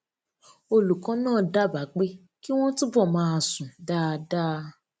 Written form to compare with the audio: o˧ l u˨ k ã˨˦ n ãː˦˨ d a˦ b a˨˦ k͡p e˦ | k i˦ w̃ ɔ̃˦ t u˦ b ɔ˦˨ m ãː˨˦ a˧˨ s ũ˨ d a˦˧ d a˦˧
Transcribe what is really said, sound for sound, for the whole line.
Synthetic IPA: o˧ l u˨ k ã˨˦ n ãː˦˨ d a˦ b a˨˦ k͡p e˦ | k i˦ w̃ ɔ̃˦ t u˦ b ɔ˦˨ m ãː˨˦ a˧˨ s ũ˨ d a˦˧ d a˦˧